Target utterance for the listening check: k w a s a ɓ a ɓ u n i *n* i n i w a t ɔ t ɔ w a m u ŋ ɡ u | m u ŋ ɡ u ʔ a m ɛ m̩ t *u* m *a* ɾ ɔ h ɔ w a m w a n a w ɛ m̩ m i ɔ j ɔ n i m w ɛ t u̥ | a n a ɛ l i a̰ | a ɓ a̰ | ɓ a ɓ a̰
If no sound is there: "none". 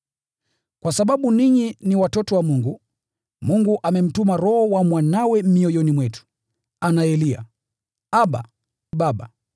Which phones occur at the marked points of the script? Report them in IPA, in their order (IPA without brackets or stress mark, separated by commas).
ɲ, u, a